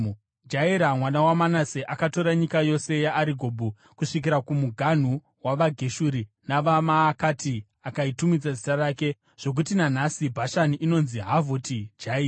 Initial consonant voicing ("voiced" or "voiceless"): voiced